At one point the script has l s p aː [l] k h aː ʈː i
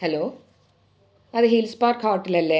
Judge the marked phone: incorrect: ɾ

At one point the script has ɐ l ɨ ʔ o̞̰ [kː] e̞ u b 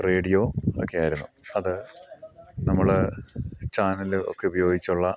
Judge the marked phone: correct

